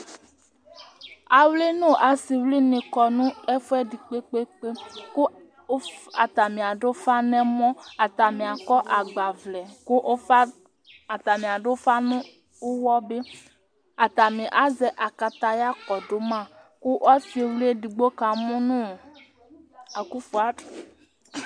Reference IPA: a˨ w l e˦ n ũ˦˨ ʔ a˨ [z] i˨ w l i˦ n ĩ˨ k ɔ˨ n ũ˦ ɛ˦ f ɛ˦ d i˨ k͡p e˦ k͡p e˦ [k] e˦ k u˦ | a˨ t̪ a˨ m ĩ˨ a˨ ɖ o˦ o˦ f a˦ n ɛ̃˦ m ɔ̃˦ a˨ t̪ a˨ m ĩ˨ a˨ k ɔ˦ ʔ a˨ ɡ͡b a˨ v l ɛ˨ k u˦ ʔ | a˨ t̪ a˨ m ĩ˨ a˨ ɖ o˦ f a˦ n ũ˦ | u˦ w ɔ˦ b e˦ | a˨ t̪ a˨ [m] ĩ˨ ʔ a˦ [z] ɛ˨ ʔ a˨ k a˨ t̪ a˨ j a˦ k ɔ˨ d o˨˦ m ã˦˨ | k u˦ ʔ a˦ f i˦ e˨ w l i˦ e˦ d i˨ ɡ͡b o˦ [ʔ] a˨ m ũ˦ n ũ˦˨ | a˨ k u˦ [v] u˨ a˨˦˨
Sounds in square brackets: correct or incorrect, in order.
incorrect: s, incorrect: k͡p, correct, correct, incorrect: k, incorrect: f

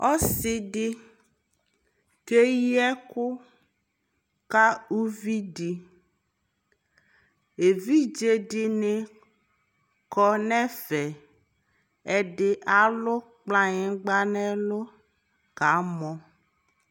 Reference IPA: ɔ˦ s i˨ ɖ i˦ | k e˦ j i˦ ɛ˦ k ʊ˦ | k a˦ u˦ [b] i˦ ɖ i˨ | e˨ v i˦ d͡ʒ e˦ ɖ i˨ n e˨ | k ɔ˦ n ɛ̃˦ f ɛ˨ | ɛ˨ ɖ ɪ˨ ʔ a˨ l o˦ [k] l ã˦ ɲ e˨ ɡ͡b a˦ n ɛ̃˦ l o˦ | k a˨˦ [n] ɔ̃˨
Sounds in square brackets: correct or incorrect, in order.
incorrect: v, incorrect: k͡p, incorrect: m

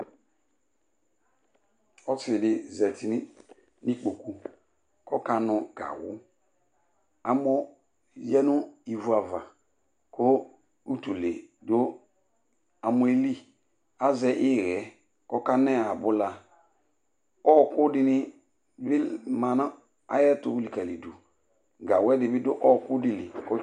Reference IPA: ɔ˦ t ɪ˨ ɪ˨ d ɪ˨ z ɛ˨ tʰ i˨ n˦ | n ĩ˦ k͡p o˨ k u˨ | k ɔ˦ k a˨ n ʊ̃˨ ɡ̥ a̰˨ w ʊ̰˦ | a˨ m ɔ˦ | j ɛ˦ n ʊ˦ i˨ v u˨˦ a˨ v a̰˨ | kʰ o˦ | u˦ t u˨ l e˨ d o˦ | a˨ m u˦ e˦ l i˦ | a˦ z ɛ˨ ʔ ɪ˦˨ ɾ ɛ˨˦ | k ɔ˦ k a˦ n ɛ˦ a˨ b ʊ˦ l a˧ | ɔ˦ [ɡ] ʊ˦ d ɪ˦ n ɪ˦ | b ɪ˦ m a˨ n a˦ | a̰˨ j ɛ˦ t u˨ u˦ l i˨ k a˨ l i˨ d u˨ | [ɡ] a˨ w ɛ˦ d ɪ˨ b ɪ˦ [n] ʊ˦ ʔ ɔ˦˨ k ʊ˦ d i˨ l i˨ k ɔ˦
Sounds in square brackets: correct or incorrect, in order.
incorrect: k, correct, incorrect: d

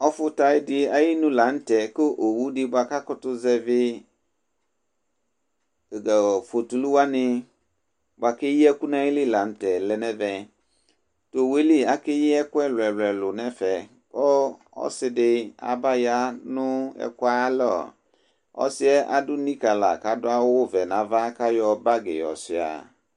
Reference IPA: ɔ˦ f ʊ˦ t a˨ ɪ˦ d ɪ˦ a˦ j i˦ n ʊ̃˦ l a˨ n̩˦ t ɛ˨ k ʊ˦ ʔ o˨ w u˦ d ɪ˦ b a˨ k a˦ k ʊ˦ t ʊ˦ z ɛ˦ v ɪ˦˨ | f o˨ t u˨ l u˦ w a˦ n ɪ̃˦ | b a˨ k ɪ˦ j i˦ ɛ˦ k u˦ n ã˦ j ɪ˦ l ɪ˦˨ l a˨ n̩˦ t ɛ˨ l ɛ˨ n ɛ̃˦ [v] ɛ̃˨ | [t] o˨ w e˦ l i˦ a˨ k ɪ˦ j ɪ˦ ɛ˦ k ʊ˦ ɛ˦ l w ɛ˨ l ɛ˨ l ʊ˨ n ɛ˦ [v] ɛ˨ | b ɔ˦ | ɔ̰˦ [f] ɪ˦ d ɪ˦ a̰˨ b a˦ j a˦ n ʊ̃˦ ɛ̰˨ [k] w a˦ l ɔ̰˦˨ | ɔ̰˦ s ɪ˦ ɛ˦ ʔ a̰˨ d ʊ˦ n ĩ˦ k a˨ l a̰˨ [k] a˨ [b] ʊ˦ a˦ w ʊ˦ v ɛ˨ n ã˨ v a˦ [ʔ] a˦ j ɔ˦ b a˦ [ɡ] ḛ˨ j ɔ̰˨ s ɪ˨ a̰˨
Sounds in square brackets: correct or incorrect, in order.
correct, correct, incorrect: f, incorrect: s, correct, correct, incorrect: d, incorrect: k, correct

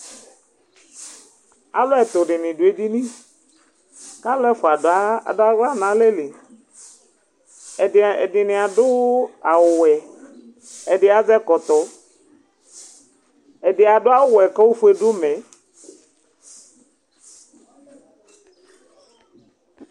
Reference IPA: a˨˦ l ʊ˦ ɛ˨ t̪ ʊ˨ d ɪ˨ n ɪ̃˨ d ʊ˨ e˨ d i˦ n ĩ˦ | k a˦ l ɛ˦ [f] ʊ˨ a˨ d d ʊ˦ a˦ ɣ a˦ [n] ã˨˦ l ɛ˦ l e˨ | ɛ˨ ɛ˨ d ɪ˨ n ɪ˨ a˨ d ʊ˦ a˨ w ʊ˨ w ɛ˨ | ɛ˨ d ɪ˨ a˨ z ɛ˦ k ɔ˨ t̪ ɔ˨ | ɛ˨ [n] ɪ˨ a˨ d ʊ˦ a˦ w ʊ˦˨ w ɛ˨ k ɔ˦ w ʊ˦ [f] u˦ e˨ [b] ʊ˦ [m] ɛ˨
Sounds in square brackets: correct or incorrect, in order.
correct, correct, incorrect: d, correct, incorrect: d, correct

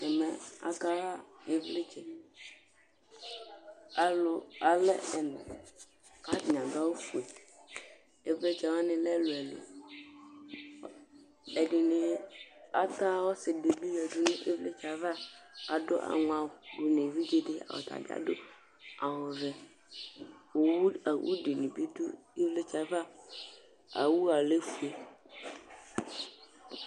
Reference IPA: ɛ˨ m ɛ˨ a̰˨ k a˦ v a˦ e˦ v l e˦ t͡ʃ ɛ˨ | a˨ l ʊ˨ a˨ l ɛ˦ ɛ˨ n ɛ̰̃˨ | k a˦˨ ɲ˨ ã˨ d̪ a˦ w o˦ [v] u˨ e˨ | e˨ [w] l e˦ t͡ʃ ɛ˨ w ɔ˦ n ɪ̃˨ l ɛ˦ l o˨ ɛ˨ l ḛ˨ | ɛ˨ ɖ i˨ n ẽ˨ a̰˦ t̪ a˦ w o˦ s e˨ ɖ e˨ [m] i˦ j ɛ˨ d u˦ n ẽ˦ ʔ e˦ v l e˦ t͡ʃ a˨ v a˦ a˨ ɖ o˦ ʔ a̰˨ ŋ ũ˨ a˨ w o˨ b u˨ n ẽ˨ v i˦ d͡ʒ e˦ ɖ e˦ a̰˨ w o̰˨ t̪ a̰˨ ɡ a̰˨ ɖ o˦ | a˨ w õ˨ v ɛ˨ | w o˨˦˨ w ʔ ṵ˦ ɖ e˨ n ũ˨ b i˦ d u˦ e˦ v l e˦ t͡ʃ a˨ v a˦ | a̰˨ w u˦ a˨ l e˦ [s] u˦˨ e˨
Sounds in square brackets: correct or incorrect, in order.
incorrect: f, incorrect: v, incorrect: b, incorrect: f

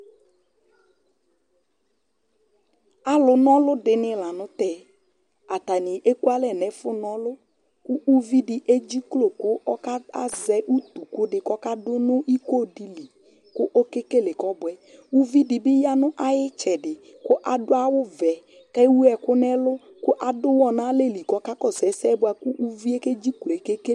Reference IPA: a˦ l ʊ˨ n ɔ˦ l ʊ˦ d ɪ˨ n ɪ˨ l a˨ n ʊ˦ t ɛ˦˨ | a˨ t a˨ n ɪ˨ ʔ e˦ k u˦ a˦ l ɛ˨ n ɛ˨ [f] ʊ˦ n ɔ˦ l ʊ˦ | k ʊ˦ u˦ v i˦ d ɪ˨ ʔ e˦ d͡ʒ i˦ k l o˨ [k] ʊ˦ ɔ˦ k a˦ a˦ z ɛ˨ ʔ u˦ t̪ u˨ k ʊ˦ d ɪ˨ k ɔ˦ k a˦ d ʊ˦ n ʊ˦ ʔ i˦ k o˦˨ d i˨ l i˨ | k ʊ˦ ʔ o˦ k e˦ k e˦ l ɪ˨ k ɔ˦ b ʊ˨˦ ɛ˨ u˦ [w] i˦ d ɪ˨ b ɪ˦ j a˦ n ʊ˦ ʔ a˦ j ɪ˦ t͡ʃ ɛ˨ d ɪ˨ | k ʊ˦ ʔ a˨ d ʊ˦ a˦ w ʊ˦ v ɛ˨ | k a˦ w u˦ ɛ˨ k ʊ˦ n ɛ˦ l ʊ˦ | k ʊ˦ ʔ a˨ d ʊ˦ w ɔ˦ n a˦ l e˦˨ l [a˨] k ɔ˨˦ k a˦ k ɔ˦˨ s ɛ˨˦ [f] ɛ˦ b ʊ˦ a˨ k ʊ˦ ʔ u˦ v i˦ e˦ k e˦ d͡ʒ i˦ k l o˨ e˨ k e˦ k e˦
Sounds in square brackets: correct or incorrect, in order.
correct, correct, incorrect: v, incorrect: i˨, incorrect: s

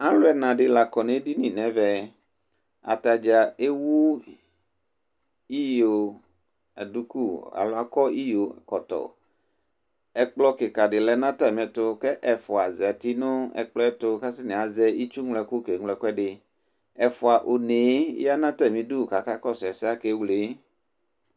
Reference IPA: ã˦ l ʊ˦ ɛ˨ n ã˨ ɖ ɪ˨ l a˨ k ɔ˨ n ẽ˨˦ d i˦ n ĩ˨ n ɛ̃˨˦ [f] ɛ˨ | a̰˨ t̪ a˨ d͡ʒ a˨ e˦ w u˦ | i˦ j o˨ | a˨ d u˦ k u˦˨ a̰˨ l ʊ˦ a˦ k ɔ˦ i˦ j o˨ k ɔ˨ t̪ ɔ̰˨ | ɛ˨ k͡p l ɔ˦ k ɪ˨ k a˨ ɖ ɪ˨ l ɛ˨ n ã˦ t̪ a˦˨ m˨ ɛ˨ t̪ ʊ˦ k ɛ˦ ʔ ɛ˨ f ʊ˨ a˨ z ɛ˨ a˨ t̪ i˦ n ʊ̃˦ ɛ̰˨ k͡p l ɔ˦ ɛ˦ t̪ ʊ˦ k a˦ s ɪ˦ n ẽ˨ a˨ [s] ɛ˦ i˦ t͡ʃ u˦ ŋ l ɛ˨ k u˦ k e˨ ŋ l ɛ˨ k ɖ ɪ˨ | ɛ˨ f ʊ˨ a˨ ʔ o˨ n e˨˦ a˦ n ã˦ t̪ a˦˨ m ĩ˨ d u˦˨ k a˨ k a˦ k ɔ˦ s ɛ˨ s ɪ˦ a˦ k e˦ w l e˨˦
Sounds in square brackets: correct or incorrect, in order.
incorrect: v, incorrect: z

